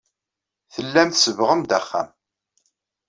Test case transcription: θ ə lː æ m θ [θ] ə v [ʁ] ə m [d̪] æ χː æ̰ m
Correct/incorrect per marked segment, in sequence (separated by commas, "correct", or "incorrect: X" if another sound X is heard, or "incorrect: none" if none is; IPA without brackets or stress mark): incorrect: s, correct, correct